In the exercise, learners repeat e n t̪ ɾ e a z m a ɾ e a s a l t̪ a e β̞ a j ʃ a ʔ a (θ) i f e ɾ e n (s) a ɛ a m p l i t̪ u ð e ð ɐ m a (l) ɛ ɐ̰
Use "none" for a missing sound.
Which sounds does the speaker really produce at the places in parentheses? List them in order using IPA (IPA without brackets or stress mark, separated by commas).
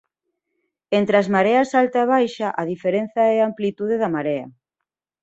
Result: ð, θ, ɾ